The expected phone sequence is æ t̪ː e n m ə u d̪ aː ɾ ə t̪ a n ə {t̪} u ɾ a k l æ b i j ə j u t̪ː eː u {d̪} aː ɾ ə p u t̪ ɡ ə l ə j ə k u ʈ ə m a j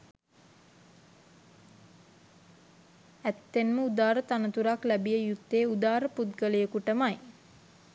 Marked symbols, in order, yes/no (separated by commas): yes, yes